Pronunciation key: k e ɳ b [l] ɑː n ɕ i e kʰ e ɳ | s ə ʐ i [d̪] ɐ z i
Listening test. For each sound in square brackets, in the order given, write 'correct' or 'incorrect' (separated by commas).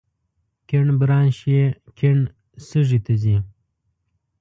incorrect, incorrect